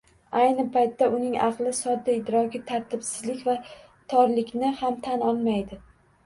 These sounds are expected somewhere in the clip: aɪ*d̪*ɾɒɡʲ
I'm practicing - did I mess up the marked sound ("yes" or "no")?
no